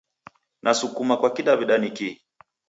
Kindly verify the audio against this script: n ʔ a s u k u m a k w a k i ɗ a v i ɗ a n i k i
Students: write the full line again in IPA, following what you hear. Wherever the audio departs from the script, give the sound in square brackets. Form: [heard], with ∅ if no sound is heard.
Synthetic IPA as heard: n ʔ a s u k u m a k w a k i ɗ a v i ɗ a n i k i